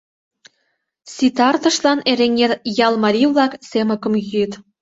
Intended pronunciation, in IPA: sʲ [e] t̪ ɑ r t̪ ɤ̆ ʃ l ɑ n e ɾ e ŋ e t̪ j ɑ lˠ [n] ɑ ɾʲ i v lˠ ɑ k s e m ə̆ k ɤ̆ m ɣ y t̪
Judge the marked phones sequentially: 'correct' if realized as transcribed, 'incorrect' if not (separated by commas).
incorrect, incorrect